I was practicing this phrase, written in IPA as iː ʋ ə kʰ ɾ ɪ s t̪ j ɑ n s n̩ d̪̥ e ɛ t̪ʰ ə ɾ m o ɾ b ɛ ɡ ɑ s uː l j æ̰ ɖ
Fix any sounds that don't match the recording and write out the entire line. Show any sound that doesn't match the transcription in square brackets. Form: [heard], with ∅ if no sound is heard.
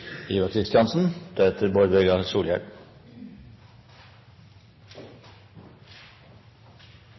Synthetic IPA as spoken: iː ʋ [ɑ] kʰ ɾ ɪ s t̪ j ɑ n s n̩ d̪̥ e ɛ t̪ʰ ə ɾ [b] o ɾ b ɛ ɡ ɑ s uː l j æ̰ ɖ